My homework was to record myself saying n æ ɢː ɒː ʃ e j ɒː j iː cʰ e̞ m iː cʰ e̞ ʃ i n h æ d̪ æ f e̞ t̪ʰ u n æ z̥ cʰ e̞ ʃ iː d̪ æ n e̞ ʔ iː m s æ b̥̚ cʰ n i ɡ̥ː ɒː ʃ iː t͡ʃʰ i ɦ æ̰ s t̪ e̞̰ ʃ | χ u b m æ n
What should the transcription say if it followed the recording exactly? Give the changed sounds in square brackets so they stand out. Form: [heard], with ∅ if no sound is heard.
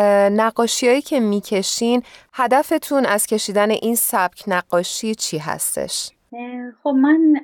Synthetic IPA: n æ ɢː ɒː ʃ [i] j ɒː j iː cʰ e̞ m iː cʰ e̞ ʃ i n h æ d̪ æ f e̞ t̪ʰ u n æ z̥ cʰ e̞ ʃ iː d̪ æ n e̞ ʔ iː [n] s æ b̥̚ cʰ n [æ] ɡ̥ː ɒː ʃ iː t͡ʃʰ i ɦ æ̰ s t̪ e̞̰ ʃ | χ [o] b m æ n